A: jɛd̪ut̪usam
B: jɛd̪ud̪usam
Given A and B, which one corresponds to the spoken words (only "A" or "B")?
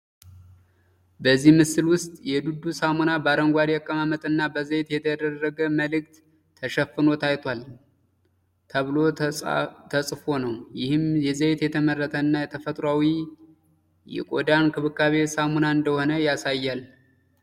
B